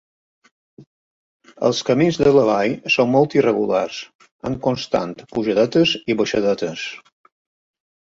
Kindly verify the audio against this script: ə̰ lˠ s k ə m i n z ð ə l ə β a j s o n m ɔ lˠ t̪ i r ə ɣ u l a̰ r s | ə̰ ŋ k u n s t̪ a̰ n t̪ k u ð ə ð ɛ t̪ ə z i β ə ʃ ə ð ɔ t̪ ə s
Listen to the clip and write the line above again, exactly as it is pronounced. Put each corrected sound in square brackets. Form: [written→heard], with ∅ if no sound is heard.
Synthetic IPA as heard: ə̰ lˠ s k ə m i n z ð ə l ə β a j s o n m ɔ lˠ t̪ i r ə ɣ u l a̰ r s | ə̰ ŋ k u n s t̪ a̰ n t̪ [k→p] u [ð→ʒ] ə ð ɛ t̪ ə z i β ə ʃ ə ð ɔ t̪ ə s